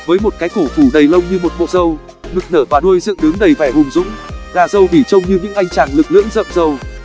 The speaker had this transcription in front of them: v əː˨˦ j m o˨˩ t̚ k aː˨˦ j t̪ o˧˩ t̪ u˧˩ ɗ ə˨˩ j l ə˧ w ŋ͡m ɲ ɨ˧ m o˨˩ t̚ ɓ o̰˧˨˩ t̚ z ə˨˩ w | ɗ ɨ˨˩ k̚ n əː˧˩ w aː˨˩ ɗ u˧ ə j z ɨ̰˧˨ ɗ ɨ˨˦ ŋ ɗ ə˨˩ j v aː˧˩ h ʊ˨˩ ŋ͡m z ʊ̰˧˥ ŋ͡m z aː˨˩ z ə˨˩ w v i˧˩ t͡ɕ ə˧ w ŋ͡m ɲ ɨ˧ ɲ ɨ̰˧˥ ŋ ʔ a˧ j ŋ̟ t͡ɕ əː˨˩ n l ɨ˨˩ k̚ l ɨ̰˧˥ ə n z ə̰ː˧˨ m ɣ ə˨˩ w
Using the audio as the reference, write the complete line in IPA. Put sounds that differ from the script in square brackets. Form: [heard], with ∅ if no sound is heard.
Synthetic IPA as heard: v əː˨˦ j m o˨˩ t̚ k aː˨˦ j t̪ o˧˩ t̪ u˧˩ ɗ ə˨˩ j l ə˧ w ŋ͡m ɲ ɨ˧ m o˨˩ t̚ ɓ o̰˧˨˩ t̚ z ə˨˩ w | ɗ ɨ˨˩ k̚ n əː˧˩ [v] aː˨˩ ɗ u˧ ə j z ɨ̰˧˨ ɗ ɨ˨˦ ŋ ɗ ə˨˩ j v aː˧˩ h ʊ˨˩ ŋ͡m z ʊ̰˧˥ ŋ͡m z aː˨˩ z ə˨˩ w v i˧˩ t͡ɕ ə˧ w ŋ͡m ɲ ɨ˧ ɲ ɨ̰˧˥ ŋ ʔ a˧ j ŋ̟ t͡ɕ [aː˨˩] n l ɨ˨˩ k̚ l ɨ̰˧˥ ə [ŋ] z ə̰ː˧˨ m [z] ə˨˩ w